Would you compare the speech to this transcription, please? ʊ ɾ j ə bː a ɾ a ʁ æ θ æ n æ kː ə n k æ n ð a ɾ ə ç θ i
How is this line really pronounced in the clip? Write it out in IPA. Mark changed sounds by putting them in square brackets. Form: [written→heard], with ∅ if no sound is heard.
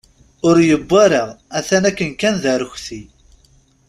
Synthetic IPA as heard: ʊ ɾ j ə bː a ɾ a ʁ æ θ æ n æ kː ə n k æ n ð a ɾ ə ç θ i